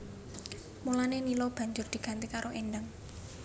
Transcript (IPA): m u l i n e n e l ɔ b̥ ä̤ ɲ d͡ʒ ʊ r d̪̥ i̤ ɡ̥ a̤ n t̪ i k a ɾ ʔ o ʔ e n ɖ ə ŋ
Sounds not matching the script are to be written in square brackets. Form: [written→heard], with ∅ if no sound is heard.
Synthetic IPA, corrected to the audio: m u l [i→a] n e n [e→i] l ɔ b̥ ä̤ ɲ d͡ʒ ʊ r d̪̥ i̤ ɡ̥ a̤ n t̪ i k a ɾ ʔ o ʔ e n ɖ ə ŋ